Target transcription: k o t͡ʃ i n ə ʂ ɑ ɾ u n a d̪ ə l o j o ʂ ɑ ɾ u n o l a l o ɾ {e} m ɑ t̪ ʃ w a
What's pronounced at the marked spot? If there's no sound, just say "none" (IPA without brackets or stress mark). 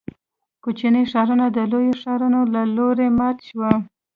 e